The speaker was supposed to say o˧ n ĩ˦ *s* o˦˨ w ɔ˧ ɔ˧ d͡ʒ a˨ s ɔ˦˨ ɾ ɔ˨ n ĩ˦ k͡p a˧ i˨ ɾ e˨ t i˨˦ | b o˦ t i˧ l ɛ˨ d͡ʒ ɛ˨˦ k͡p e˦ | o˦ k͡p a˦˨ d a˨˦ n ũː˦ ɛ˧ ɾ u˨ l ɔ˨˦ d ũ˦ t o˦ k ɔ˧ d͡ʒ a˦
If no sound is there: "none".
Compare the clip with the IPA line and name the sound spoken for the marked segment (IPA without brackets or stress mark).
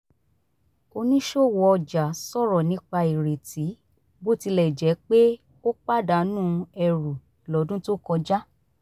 ʃ